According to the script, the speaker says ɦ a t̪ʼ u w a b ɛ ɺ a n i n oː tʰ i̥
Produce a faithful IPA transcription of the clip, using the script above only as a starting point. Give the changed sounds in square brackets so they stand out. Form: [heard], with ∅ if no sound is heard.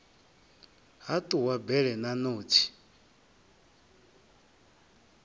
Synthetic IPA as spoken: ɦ a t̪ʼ u w a b ɛ ɺ [ɛ] n [a] n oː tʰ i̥